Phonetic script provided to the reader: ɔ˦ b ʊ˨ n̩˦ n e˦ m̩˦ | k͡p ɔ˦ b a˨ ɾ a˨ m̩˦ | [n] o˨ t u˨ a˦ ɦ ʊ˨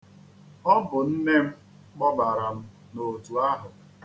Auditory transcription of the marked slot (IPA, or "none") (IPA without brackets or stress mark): n